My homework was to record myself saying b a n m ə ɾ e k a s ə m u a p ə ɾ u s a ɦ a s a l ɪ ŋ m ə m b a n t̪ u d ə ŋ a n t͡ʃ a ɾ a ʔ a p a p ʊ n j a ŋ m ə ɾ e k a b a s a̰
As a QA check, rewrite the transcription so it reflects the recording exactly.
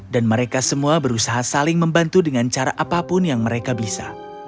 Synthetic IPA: d a n m ə ɾ e k a s ə m u a b ə ɾ u s a ɦ a s a l ɪ ŋ m ə m b a n t̪ u d ə ŋ a n t͡ʃ a ɾ a ʔ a p a p ʊ n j a ŋ m ə ɾ e k a b i s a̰